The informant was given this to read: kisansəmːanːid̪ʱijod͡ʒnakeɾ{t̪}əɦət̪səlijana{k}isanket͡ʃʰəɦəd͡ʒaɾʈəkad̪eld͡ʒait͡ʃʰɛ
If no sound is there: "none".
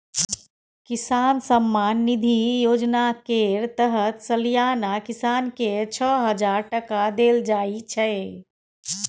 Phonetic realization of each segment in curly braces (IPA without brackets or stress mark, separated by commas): t̪, k